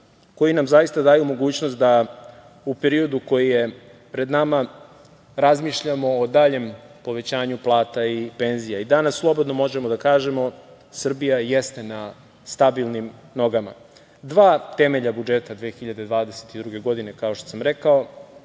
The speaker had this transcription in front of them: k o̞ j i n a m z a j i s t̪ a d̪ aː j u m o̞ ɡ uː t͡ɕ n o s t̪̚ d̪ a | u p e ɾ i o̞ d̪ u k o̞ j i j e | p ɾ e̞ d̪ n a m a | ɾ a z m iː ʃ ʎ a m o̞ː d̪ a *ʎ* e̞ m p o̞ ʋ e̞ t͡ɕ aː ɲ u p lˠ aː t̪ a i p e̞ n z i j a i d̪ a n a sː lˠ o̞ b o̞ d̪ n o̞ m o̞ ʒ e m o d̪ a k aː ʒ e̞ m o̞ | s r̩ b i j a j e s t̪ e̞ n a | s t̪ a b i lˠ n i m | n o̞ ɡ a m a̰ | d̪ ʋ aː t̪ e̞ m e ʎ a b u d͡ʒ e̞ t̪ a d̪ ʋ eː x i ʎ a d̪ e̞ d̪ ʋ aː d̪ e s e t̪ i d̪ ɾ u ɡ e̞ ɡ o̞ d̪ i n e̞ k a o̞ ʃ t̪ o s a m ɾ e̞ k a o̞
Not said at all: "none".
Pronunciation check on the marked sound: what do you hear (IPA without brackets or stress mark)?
ʎ